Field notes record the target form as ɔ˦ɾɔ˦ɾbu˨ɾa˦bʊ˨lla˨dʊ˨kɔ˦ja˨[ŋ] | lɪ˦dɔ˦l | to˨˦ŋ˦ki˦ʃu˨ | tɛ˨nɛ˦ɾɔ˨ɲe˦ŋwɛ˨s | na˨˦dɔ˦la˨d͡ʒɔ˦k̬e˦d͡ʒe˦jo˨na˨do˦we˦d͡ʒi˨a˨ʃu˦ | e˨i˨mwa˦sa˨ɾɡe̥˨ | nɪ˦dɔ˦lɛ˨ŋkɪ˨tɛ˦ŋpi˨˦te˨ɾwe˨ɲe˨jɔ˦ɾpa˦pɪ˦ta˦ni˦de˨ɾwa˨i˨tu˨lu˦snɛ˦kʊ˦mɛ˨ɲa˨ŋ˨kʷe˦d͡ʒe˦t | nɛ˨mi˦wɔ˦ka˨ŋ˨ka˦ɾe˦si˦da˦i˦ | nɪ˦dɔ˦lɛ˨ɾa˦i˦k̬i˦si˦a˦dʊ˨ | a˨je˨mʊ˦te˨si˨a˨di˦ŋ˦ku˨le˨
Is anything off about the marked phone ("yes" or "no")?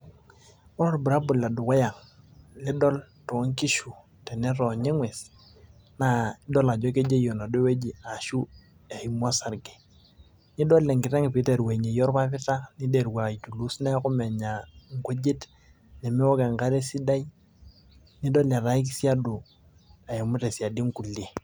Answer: no